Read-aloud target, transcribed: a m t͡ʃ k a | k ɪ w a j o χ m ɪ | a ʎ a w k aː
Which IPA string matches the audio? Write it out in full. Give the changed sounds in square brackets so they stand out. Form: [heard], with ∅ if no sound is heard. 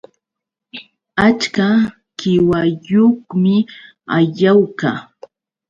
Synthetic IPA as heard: a [∅] t͡ʃ k a | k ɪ w a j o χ m ɪ | a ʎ a w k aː